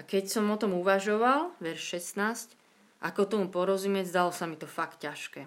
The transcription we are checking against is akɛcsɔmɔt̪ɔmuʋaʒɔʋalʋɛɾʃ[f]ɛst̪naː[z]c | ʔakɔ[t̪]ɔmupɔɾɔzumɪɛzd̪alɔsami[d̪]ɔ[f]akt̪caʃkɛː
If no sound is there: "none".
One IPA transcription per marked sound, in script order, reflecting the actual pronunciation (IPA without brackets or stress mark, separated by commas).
ʃ, s, t̪, t̪, f